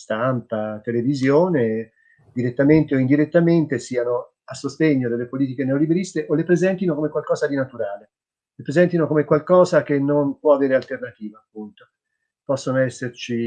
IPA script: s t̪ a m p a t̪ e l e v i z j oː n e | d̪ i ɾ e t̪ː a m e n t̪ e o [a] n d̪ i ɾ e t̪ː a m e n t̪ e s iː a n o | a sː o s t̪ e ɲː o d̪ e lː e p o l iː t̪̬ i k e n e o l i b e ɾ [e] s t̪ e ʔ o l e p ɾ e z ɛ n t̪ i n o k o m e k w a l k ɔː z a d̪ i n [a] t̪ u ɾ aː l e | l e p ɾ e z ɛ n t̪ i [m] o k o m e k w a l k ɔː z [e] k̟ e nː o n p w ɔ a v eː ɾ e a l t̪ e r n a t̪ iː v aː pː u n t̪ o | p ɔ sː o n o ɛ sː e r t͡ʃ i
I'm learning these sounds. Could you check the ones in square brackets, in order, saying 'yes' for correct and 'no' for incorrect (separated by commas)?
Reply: no, no, yes, no, no